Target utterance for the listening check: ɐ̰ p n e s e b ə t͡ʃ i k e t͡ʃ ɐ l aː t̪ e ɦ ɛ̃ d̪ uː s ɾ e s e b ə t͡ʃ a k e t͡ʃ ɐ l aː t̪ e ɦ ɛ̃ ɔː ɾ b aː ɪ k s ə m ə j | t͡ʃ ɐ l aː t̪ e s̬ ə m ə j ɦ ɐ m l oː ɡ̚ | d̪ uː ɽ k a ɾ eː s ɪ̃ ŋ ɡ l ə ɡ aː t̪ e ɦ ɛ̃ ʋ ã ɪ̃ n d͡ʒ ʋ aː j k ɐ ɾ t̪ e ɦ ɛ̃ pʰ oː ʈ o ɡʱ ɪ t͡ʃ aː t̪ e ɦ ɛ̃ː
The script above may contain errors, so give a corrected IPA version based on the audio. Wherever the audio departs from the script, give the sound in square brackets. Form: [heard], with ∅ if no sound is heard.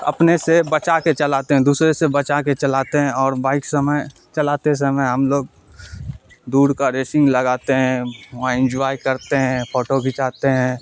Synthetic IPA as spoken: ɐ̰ p n e s e b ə t͡ʃ [a] k e t͡ʃ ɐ l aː t̪ e ɦ ɛ̃ d̪ uː s ɾ e s e b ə t͡ʃ a k e t͡ʃ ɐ l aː t̪ e ɦ ɛ̃ ɔː ɾ b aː ɪ k s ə m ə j | t͡ʃ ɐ l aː t̪ e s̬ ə m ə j ɦ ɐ m l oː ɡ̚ | d̪ uː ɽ k a ɾ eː s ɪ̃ ŋ ɡ l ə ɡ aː t̪ e ɦ ɛ̃ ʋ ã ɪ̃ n d͡ʒ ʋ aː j k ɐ ɾ t̪ e ɦ ɛ̃ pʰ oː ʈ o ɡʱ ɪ t͡ʃ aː t̪ e ɦ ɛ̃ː